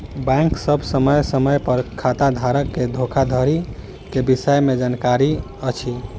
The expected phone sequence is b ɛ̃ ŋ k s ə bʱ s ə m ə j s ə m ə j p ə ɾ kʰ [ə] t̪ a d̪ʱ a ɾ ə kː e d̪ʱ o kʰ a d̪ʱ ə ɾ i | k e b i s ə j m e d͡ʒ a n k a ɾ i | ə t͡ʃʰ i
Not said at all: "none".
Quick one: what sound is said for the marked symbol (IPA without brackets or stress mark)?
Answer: a